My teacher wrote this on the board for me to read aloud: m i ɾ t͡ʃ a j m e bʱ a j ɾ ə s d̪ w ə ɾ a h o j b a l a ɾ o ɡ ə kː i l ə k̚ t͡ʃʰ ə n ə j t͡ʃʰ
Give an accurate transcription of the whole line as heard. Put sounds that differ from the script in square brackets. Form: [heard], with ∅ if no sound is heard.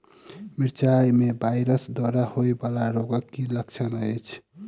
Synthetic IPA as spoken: m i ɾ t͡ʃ a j m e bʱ a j ɾ ə s d̪ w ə ɾ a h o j b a l a ɾ o ɡ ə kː i l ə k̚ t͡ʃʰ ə n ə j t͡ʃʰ